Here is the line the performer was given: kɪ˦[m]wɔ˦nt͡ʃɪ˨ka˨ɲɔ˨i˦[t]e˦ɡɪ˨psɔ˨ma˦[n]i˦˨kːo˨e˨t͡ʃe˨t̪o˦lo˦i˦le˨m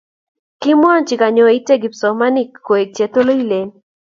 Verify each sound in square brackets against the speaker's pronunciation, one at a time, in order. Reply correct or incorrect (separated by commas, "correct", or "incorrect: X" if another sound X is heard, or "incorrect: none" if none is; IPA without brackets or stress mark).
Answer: correct, correct, correct